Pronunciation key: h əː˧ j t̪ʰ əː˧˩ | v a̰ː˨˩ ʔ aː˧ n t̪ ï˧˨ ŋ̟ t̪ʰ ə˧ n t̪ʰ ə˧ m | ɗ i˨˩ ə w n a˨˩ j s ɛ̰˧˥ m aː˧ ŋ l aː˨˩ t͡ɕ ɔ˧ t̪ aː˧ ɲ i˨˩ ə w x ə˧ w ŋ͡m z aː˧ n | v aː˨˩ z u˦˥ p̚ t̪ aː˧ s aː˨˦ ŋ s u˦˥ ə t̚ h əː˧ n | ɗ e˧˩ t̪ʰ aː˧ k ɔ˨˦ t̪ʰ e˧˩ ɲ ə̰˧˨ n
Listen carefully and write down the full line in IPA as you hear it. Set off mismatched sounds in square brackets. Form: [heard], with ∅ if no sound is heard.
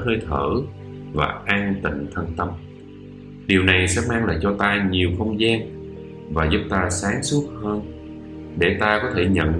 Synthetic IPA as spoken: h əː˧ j t̪ʰ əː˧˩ | v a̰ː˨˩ ʔ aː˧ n t̪ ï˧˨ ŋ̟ t̪ʰ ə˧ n [t̪] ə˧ m | ɗ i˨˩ ə w n a˨˩ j s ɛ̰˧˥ m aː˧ ŋ l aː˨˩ t͡ɕ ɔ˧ t̪ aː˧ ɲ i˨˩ ə w x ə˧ w ŋ͡m z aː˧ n | v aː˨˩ z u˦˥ p̚ t̪ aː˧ s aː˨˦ ŋ s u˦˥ ə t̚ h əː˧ n | ɗ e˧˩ [t̪] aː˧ k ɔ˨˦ t̪ʰ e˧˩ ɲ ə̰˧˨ n